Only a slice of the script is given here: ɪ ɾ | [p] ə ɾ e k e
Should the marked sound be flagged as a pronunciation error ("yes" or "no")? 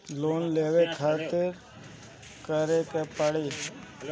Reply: yes